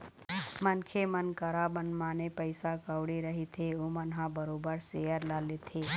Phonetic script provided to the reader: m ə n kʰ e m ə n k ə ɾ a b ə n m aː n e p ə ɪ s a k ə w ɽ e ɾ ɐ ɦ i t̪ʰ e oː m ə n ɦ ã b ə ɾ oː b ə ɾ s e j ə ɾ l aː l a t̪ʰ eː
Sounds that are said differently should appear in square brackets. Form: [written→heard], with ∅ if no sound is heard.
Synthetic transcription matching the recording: m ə n kʰ e m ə n k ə ɾ a b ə n m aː n e p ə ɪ s a k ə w ɽ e ɾ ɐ ɦ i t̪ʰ e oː m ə n ɦ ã b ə ɾ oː b ə ɾ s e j ə ɾ l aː l [a→e] t̪ʰ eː